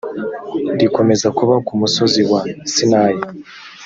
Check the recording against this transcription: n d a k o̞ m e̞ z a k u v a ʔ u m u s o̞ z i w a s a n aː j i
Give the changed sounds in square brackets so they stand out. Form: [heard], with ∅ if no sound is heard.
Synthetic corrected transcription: n d [i] k o̞ m e̞ z a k u [β] a [k] u m u s o̞ z i w a s [i] n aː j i